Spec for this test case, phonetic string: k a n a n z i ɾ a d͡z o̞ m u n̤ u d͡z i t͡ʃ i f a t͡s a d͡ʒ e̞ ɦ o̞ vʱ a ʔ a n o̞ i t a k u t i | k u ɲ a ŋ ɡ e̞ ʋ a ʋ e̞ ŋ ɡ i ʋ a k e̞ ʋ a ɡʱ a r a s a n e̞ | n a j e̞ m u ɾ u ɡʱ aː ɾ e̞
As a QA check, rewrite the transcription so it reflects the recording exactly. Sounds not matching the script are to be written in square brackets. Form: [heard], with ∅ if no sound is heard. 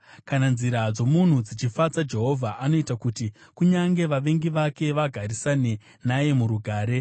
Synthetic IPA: k a n a n z i ɾ a d͡z o̞ m u n̤ u d͡z i t͡ʃ i f a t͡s a d͡ʒ e̞ ɦ o̞ vʱ a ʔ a n o̞ i t a k u t i | k u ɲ a ŋ ɡ e̞ ʋ a ʋ e̞ ŋ ɡ i ʋ a k e̞ ʋ a ɡʱ a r [i] s a n e̞ | n a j e̞ m u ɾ u ɡʱ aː ɾ e̞